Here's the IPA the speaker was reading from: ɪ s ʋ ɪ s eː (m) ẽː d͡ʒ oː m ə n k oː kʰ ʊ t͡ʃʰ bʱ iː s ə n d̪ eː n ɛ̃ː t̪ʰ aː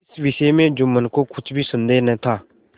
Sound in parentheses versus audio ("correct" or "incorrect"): correct